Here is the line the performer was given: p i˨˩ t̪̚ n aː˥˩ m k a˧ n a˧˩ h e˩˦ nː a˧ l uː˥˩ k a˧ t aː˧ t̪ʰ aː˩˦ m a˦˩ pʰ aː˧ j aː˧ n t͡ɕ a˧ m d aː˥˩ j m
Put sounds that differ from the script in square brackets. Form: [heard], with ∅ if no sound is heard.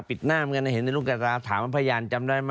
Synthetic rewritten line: p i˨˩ t̪̚ n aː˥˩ m k a˧ n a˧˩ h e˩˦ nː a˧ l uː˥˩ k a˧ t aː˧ t̪ʰ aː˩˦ m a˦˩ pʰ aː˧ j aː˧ n t͡ɕ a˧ m d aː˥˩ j m